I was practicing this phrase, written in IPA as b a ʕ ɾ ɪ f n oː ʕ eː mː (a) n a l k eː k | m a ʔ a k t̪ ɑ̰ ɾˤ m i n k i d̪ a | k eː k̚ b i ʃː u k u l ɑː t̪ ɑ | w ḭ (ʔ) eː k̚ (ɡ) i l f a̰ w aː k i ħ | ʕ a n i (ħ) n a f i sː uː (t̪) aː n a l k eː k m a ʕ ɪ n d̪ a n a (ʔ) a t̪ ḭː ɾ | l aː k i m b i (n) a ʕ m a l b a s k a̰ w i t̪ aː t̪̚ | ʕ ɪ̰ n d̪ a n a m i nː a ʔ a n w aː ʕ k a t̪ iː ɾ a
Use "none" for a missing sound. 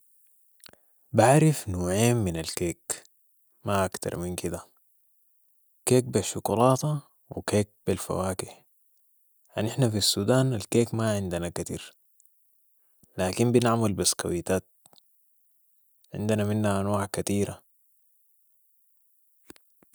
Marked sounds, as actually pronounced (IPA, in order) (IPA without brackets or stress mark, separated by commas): i, k, b, ħ, d̪, k, n